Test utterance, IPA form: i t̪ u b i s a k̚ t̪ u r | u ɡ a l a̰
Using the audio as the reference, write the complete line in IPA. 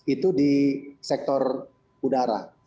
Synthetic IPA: i t̪ u d i s ɛ k̚ t̪ ɔ r | u d a ɾ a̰